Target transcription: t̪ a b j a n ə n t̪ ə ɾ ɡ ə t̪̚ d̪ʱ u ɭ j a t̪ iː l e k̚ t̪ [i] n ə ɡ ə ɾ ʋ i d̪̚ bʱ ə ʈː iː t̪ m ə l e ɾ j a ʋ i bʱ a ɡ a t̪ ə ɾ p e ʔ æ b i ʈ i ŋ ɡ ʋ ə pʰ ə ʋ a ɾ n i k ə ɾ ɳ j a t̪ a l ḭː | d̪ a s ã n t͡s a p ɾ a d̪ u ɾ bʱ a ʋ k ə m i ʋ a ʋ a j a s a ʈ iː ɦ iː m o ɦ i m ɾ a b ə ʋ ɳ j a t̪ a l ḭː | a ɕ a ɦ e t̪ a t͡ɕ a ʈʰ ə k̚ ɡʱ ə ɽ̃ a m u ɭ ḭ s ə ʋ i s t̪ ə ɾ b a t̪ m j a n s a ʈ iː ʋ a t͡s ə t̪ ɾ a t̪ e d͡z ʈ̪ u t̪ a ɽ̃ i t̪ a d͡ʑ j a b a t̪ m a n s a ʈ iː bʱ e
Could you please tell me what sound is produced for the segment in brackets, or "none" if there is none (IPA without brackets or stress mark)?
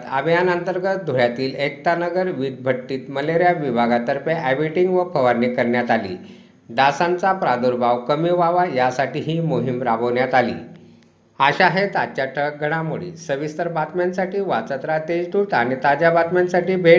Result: a